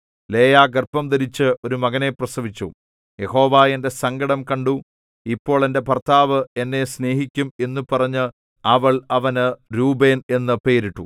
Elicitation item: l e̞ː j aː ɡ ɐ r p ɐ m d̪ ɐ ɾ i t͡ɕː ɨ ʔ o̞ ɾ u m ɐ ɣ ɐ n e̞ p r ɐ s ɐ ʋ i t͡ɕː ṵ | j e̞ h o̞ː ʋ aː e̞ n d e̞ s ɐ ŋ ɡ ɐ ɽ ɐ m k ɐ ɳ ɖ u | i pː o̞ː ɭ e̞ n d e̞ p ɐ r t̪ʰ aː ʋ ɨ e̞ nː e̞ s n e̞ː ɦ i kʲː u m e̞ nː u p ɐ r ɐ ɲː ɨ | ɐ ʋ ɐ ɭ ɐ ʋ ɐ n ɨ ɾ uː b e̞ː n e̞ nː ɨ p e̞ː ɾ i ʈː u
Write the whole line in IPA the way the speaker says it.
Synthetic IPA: l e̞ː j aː ɡ ɐ r p ɐ m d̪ ɐ ɾ i t͡ɕː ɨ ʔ o̞ ɾ u m ɐ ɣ ɐ n e̞ p r ɐ s ɐ ʋ i t͡ɕː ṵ | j e̞ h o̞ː ʋ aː e̞ n d e̞ s ɐ ŋ ɡ ɐ ɽ ɐ m k ɐ ɳ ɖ u | i pː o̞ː ɭ e̞ n d e̞ p ɐ r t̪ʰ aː ʋ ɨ e̞ nː e̞ s n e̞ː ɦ i kʲː u m e̞ nː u p ɐ r ɐ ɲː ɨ | ɐ ʋ ɐ ɭ ɐ ʋ ɐ n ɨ ɾ uː b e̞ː n e̞ nː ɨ p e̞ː ɾ i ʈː u